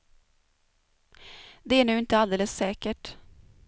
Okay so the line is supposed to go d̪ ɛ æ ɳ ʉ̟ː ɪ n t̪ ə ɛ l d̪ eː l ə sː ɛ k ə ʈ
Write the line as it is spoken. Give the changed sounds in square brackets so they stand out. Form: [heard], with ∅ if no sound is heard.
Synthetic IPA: d̪ ɛ æ ɳ ʉ̟ː ɪ n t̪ ə [a] l d̪ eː l ə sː [ɛː] k ə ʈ